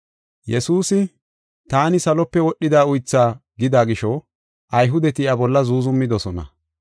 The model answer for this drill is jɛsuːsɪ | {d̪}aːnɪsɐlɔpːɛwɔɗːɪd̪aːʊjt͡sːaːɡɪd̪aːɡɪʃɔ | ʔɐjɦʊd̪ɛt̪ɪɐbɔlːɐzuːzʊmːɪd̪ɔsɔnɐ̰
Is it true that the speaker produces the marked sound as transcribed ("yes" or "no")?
no